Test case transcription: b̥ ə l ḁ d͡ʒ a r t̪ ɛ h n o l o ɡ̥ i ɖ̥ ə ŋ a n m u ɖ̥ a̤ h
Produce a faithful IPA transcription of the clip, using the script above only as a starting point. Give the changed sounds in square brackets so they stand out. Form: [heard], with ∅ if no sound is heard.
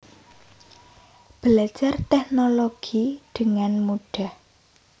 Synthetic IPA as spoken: b̥ ə l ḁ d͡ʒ a r t̪ ɛ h n o l o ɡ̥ i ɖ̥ ə ŋ a n m u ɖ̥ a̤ h